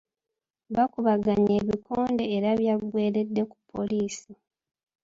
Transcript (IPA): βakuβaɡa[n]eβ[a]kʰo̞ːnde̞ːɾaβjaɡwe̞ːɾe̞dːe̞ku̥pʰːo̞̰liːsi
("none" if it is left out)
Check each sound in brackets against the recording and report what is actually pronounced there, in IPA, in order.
ɲ, i

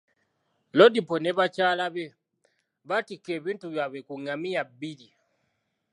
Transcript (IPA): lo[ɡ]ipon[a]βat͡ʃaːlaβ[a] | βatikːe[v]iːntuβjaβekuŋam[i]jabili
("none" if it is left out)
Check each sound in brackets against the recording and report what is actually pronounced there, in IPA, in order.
d, e, e, β, i

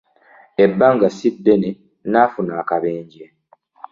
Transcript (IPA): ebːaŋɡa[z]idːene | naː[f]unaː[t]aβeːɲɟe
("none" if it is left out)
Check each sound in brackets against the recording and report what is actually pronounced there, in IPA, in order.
s, f, k

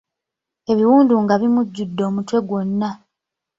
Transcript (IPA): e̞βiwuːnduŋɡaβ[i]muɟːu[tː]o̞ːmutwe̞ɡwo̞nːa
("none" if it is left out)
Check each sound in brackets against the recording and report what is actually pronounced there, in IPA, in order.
i, dː

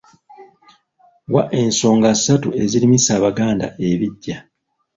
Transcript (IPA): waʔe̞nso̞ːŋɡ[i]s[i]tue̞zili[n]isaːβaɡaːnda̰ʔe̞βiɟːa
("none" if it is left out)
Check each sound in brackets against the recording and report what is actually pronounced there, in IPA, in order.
a, a, m

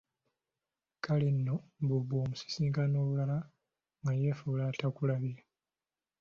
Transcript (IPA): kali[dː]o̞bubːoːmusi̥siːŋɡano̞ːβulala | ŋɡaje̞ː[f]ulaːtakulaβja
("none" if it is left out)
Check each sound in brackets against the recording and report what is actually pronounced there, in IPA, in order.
nː, f

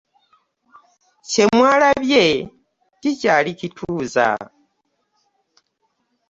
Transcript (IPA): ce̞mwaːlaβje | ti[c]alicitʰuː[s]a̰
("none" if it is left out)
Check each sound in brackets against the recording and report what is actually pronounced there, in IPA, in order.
c, z

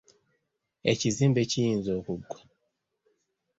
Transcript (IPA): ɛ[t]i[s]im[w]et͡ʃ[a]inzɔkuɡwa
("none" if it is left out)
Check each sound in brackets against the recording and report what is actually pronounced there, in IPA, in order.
t͡ʃ, z, b, i

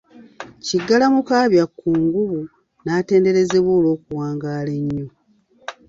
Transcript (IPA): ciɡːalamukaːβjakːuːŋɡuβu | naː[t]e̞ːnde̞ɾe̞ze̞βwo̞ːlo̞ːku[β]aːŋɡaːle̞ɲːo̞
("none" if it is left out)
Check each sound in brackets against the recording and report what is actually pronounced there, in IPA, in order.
t, w

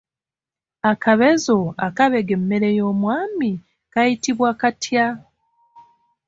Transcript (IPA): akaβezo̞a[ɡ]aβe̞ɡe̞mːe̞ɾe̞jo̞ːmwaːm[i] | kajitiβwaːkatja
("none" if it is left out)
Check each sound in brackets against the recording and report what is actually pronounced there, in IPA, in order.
k, i

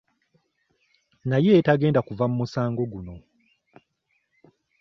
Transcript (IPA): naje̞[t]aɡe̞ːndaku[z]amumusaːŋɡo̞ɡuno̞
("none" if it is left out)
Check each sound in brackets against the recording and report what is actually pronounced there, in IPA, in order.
t, v

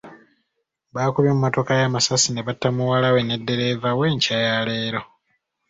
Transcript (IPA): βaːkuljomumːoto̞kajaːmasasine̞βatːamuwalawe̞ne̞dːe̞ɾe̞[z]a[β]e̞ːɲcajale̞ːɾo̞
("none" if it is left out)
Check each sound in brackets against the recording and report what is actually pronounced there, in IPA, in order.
v, w

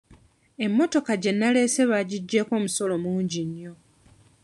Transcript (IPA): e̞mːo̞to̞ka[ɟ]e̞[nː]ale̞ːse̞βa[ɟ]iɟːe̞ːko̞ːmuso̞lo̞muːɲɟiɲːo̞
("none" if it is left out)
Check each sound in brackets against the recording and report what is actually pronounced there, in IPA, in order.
ɟ, nː, ɟ

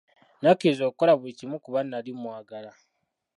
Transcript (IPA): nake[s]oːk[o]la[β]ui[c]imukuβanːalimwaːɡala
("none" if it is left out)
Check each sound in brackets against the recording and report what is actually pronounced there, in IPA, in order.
z, o, β, c

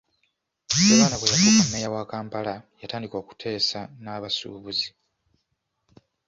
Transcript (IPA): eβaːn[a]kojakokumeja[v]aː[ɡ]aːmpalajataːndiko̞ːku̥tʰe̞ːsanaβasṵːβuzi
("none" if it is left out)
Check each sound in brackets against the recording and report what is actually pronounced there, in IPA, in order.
a, w, k

